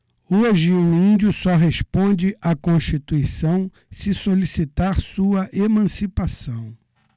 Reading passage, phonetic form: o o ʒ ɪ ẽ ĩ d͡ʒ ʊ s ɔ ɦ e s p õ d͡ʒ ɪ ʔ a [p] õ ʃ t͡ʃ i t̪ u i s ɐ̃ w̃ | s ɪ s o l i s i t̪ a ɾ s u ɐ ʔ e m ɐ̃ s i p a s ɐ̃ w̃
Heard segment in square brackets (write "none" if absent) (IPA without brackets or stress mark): k